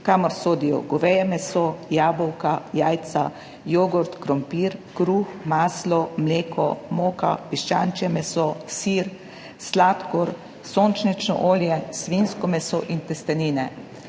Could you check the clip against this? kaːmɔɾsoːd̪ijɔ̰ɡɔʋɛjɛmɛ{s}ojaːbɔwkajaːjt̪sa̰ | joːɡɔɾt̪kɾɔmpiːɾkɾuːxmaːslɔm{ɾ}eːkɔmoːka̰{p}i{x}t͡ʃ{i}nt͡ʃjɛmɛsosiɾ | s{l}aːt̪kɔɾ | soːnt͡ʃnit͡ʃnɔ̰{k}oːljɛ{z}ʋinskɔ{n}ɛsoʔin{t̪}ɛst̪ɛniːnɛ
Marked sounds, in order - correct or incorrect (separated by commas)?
correct, incorrect, correct, incorrect, incorrect, correct, incorrect, incorrect, incorrect, correct